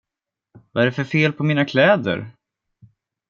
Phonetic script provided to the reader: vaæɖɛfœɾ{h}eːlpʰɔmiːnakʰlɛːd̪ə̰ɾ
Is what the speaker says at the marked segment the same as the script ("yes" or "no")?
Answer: no